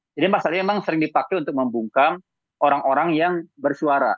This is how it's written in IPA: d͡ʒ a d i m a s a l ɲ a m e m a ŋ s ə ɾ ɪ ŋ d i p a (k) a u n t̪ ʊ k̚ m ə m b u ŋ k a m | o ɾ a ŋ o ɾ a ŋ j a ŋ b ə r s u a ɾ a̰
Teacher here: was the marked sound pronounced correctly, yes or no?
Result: yes